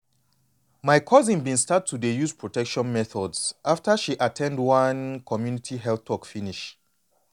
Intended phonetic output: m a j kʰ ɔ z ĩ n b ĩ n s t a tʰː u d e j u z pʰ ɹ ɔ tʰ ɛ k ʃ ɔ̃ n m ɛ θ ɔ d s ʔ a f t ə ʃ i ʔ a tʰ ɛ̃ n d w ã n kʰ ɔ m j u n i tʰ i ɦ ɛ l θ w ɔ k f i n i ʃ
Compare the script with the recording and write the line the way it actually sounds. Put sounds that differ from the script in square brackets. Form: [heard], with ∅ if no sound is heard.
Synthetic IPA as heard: m a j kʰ ɔ z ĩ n b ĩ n s t a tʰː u d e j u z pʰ ɹ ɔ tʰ ɛ k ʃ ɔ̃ n m ɛ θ ɔ d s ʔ a f t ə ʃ i ʔ a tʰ ɛ̃ n d w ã n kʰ ɔ m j u n i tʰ i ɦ ɛ l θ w ɔ k f i n i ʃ